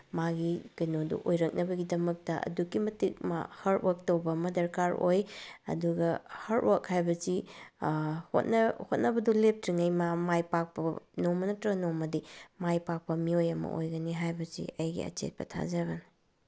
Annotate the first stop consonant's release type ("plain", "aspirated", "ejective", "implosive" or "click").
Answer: plain